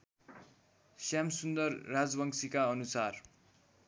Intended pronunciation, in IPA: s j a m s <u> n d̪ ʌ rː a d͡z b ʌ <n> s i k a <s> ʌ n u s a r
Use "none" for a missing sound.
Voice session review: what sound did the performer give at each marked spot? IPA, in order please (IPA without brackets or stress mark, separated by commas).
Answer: u, ŋ, none